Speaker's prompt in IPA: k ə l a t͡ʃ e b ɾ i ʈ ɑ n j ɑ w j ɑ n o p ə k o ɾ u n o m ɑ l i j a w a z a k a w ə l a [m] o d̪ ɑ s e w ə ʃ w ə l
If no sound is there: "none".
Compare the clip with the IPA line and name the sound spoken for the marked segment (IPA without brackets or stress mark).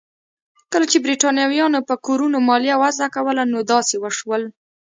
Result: n